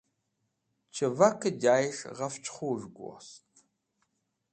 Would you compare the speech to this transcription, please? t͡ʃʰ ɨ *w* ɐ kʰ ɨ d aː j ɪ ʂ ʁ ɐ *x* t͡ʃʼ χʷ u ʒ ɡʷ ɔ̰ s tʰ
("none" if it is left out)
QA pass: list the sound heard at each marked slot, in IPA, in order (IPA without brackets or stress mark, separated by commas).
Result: v, f